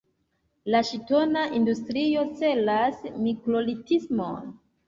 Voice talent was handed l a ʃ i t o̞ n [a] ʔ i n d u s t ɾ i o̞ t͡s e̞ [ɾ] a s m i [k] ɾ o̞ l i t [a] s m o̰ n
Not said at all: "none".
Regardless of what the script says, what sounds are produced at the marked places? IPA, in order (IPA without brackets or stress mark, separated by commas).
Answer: a, l, k, i